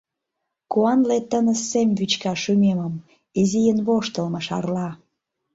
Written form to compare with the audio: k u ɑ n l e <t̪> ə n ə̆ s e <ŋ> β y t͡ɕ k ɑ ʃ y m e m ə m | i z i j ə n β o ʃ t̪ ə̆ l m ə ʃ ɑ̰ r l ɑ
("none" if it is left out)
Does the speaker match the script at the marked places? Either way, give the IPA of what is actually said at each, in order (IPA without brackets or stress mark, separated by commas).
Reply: t̪, m